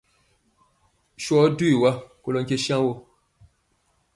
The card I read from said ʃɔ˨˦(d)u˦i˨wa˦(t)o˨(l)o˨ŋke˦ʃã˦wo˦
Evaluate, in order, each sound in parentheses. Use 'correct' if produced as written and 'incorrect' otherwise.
correct, incorrect: k, correct

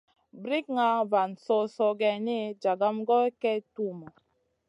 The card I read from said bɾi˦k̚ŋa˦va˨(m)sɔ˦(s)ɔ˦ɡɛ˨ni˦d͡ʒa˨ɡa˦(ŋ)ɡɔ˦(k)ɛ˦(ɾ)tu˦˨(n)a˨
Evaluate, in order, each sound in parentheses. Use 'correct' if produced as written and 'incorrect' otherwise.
incorrect: n, correct, incorrect: m, correct, incorrect: none, incorrect: m

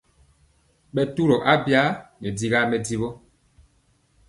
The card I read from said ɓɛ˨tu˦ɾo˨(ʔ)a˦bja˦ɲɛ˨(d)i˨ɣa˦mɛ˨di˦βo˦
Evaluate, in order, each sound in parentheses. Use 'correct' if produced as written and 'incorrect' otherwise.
correct, correct

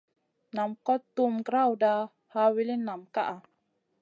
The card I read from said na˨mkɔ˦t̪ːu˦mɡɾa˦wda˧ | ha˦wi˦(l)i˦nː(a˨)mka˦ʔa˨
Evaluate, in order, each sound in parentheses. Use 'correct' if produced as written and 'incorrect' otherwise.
correct, correct

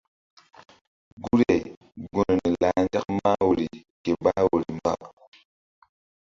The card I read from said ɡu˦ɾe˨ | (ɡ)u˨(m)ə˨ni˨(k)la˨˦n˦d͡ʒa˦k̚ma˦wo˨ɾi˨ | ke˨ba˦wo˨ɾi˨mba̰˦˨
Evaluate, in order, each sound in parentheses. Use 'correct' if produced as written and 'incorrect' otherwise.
correct, incorrect: n, incorrect: none

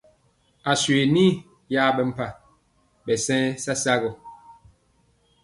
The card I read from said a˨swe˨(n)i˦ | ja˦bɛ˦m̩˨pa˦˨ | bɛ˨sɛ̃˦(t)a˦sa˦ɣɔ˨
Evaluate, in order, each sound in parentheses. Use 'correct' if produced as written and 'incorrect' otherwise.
correct, incorrect: s

